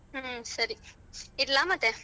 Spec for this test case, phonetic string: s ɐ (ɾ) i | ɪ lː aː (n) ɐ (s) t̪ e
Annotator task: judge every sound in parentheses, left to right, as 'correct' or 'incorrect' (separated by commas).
correct, incorrect, incorrect